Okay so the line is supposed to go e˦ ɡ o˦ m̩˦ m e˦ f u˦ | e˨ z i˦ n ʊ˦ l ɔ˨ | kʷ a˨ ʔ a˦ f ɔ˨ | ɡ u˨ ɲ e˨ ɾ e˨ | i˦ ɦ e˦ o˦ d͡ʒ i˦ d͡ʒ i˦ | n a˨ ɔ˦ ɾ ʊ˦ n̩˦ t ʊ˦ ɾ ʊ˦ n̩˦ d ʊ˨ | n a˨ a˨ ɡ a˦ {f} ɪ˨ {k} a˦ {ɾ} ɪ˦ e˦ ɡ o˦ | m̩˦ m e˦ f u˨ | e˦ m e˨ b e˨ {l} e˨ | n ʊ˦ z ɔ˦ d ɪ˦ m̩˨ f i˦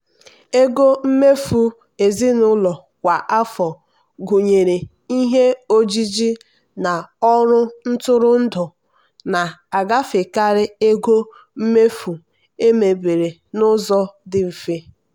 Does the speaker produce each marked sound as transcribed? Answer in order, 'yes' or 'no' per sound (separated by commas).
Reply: yes, yes, yes, no